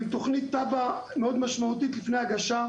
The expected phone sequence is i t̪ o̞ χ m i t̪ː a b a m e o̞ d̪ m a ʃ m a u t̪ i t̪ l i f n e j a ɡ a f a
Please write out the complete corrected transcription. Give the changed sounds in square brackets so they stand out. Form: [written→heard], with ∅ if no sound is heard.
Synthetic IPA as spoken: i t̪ o̞ χ [m→n] i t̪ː a b a m e o̞ d̪ m a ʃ m a u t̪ i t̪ l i f n e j a ɡ a [f→ʃ] a